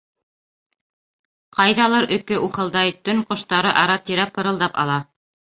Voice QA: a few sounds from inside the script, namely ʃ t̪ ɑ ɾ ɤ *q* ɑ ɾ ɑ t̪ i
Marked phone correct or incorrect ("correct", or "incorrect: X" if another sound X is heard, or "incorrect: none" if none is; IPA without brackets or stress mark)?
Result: incorrect: ʔ